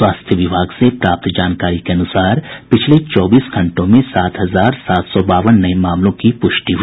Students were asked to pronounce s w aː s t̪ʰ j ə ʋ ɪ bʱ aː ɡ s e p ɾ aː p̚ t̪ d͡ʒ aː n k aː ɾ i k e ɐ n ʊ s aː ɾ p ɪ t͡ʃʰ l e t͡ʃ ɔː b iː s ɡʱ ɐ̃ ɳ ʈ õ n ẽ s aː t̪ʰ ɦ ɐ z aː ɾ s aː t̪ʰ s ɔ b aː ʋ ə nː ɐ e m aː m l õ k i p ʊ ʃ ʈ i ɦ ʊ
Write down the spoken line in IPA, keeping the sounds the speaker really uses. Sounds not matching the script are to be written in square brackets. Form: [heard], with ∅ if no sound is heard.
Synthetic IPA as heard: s w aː s t̪ʰ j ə ʋ ɪ bʱ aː ɡ s e p ɾ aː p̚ t̪ d͡ʒ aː n k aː ɾ i k e ɐ n ʊ s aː ɾ p ɪ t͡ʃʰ l e t͡ʃ ɔː b iː s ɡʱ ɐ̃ ɳ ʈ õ [m] ẽ s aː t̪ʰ ɦ ɐ z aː ɾ s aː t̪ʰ s ɔ b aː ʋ ə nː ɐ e m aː m l õ k i p ʊ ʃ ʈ i ɦ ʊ

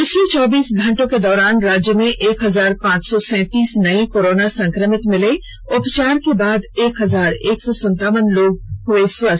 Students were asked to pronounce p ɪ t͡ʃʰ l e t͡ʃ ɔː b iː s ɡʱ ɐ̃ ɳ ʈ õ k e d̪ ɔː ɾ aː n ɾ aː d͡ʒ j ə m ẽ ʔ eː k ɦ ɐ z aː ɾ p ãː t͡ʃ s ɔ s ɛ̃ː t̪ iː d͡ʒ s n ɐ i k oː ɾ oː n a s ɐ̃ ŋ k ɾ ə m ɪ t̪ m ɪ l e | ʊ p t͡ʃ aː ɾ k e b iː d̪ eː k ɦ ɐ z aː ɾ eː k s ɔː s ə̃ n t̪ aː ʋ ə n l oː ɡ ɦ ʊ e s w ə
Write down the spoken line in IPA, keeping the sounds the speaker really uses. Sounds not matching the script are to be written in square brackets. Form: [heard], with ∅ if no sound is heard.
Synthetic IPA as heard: p ɪ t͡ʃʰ l e t͡ʃ ɔː b iː s ɡʱ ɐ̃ ɳ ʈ õ k e d̪ ɔː ɾ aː n ɾ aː d͡ʒ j ə m ẽ ʔ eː k ɦ ɐ z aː ɾ p ãː t͡ʃ s ɔ s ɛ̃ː t̪ iː [∅] s n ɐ i k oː ɾ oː n a s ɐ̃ ŋ k ɾ ə m ɪ t̪ m ɪ l e | ʊ p t͡ʃ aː ɾ k e b [aː] d̪ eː k ɦ ɐ z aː ɾ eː k s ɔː s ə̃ n t̪ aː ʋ ə n l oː ɡ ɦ ʊ e s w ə

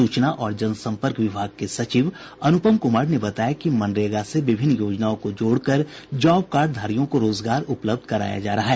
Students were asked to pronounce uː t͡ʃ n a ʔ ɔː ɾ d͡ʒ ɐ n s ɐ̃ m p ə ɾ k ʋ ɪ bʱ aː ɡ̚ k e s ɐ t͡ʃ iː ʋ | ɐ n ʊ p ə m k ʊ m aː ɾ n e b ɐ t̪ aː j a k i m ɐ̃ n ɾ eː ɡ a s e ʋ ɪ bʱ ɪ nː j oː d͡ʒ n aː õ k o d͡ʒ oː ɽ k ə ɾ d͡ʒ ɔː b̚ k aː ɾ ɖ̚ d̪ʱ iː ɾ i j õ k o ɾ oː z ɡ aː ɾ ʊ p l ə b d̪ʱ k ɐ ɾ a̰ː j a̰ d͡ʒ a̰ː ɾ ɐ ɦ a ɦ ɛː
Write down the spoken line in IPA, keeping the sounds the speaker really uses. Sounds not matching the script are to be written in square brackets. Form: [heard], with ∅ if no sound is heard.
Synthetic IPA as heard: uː t͡ʃ n a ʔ ɔː ɾ d͡ʒ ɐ n s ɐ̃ m p ə ɾ k ʋ ɪ bʱ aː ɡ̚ k e s ɐ t͡ʃ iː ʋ | ɐ n ʊ p ə m k ʊ m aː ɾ n e b ɐ t̪ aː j a k i m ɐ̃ n ɾ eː ɡ a s e ʋ ɪ bʱ ɪ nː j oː d͡ʒ n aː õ k o d͡ʒ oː ɽ k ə ɾ d͡ʒ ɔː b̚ k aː ɾ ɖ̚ d̪ʱ [aː] ɾ i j õ k o ɾ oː z ɡ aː ɾ ʊ p l ə b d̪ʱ k ɐ ɾ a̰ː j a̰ d͡ʒ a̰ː ɾ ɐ ɦ a ɦ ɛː

